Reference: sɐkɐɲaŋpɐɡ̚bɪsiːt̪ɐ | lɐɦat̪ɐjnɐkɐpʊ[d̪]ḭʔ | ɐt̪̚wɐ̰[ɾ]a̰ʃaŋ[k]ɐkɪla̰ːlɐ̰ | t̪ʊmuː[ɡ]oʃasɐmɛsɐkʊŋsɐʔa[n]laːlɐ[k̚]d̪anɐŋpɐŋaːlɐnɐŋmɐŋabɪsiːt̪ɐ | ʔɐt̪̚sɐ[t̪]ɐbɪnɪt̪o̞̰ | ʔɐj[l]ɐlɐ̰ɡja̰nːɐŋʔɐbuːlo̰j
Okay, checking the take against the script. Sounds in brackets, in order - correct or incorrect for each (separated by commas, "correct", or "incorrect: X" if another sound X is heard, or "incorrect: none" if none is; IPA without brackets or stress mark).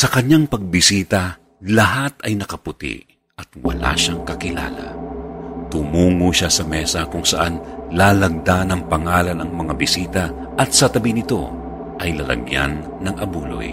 incorrect: t̪, incorrect: l, correct, incorrect: ŋ, correct, incorrect: ɡ̚, correct, correct